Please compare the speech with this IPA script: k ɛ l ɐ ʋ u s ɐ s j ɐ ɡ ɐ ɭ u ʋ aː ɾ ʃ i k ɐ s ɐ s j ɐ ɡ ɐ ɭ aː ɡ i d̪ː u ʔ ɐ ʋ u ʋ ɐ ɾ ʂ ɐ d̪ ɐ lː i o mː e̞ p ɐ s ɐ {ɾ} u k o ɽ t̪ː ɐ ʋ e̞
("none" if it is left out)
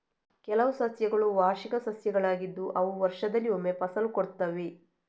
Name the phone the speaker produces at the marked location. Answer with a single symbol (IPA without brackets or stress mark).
l